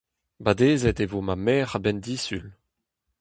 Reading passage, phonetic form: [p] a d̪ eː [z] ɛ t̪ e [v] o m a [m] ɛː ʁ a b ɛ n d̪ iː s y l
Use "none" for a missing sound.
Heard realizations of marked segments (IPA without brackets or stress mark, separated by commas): b, z, v, m